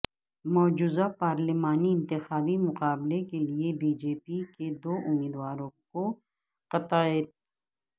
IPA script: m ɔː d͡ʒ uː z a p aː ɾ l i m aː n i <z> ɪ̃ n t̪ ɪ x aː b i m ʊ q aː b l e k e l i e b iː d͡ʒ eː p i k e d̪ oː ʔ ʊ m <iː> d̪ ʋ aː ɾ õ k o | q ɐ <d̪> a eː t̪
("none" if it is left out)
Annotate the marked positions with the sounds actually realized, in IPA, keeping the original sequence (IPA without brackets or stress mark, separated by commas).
none, iː, t̪